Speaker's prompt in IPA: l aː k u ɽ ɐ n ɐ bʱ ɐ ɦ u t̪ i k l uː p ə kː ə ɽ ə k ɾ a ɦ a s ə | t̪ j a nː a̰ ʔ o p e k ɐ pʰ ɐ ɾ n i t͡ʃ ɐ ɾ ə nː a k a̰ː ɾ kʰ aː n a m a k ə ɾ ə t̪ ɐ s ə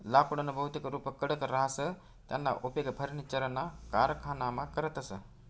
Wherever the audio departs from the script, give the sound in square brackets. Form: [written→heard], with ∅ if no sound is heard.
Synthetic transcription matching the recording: l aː k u ɽ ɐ n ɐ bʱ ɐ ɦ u t̪ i k [l→ɾ] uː p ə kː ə ɽ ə k ɾ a ɦ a s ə | t̪ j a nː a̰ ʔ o p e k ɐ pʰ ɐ ɾ n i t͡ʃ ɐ ɾ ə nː a k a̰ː ɾ kʰ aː n a m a k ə ɾ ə t̪ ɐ s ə